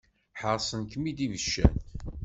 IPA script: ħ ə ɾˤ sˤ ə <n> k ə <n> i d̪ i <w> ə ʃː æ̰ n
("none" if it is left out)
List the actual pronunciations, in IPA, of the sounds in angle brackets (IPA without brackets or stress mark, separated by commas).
n, m, v